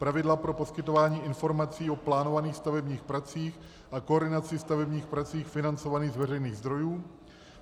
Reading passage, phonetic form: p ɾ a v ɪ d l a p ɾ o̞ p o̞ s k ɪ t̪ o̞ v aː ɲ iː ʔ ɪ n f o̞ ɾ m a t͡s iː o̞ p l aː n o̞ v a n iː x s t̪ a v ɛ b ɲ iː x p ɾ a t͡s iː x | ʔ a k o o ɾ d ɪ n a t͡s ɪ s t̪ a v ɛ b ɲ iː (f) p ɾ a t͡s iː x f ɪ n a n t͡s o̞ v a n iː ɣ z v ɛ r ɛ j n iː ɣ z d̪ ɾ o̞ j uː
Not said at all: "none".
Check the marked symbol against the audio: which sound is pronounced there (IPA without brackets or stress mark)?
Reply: x